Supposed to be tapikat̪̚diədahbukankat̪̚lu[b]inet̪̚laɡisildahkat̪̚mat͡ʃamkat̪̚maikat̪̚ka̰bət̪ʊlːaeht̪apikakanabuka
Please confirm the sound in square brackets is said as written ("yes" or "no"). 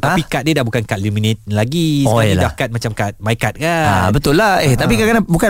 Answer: no